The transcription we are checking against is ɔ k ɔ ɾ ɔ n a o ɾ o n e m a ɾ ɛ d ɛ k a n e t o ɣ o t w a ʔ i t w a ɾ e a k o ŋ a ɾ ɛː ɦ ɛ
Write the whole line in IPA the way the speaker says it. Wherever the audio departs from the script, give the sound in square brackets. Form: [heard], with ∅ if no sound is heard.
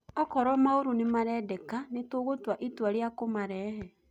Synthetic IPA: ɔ k ɔ ɾ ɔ [m] a o ɾ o n e m a ɾ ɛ d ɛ k a n e t o ɣ o t w a ʔ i t w a ɾ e a k o [m] a ɾ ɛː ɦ ɛ